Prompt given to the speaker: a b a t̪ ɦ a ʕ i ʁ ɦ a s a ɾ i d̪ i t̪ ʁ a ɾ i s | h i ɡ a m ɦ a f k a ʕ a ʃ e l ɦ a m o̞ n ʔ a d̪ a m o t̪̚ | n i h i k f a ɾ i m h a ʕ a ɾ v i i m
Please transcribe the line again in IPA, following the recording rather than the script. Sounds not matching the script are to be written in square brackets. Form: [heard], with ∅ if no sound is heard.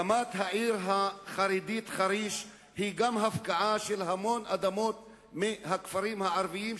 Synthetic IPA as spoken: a [m] a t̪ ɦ a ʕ i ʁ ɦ a [χ] a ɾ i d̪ i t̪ [χ] a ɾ i [ʃ] | h i ɡ a m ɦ a f k a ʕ a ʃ e l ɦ a m o̞ n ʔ a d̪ a m o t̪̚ | [m] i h [a] k f a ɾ i m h a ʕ a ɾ v i i m